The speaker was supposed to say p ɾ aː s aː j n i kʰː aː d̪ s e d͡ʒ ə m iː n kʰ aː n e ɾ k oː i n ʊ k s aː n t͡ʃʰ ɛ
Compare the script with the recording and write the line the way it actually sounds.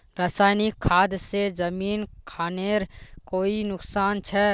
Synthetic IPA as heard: p ɾ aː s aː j n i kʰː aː d̪ s e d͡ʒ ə m iː n kʰ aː n e ɾ k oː i n ʊ k s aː n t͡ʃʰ ɛ